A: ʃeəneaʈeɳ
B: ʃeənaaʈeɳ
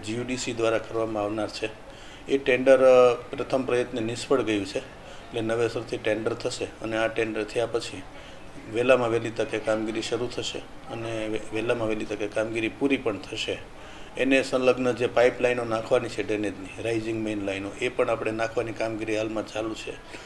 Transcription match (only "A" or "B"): A